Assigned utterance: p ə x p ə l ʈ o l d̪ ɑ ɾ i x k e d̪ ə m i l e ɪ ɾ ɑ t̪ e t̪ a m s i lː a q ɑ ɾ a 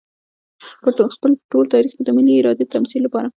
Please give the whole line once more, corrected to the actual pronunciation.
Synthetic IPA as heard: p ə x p ə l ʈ o l t̪ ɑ ɾ i x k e d̪ ə m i l i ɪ ɾ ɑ d̪ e t̪ a m s i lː a p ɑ ɾ a